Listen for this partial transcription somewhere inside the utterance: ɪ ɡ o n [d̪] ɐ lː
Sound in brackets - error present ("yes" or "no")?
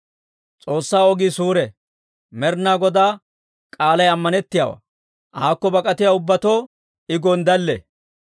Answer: no